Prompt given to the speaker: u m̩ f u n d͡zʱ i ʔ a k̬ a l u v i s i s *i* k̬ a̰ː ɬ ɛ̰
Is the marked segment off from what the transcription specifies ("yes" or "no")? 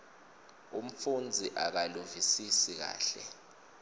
no